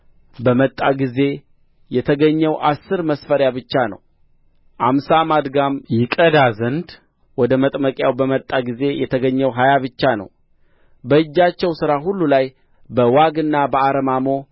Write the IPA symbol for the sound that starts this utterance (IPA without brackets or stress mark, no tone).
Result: b